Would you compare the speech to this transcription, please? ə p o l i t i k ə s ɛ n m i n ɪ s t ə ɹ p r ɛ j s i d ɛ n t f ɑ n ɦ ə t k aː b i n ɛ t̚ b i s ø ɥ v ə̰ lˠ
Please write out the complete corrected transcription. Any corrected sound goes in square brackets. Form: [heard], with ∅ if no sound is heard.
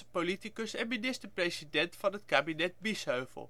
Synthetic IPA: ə p o l i t i k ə s ɛ n m i n ɪ s t ə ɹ p r [e] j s i d ɛ n t f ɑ n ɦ ə t k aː b i n ɛ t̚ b i s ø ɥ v ə̰ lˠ

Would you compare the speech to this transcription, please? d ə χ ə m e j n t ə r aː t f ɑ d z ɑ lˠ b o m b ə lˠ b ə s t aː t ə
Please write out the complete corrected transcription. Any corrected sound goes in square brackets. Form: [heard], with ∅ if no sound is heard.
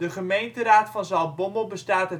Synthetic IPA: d ə χ ə m e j n t ə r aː t f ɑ [n] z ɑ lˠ b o m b ə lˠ b ə s t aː t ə

